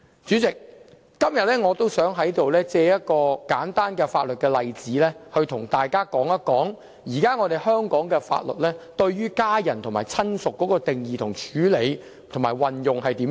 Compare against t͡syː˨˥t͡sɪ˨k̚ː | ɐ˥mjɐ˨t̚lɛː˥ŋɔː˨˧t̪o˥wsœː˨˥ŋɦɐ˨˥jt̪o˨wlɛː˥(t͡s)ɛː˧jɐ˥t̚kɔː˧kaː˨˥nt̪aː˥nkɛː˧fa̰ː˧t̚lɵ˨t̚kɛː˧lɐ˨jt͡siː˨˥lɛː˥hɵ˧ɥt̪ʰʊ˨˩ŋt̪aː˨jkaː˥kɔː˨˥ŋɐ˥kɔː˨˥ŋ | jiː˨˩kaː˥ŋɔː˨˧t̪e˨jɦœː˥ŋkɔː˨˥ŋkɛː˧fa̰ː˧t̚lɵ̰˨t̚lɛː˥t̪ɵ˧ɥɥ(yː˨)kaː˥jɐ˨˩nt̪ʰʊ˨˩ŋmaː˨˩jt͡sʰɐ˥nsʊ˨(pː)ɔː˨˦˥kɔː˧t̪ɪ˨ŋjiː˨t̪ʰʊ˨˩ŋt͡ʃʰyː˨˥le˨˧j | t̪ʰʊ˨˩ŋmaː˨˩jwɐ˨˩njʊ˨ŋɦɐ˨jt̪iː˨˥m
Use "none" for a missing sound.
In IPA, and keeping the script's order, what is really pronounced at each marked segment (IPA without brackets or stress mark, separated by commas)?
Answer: t͡s, yː˥, kː